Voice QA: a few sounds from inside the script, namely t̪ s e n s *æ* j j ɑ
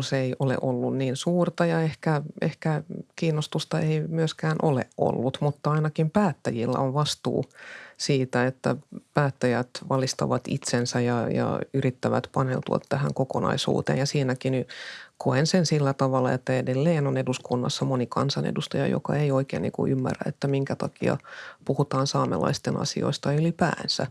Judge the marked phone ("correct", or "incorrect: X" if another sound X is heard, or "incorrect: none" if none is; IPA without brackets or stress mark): correct